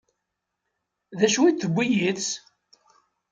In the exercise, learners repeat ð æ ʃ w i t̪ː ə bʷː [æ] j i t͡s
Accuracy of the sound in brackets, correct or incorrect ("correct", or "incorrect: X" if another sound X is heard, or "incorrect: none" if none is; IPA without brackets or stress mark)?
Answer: incorrect: i